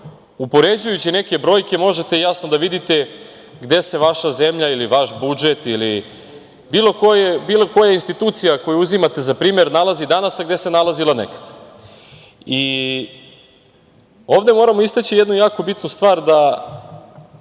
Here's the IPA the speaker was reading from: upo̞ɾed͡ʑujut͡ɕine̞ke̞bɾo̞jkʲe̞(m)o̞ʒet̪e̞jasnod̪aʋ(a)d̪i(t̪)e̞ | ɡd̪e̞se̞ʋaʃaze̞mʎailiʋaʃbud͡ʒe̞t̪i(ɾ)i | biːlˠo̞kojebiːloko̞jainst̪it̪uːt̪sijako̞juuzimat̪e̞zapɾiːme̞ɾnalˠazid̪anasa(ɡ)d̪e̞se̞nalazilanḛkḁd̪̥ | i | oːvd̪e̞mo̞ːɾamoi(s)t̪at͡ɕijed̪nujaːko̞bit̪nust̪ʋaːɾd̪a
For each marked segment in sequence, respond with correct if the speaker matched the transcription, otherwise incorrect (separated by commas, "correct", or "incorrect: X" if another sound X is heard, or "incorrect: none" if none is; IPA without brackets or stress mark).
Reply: correct, incorrect: i, correct, incorrect: l, correct, correct